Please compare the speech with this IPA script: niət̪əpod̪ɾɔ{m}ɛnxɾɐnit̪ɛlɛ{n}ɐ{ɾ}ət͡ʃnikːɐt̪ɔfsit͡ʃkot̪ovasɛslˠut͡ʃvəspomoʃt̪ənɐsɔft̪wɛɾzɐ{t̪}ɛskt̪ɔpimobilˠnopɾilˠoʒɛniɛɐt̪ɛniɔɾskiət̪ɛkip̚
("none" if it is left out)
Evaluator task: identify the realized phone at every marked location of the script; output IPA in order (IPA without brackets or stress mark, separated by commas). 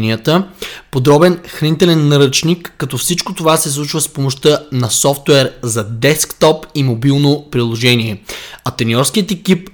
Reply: b, nː, ɾ, d̪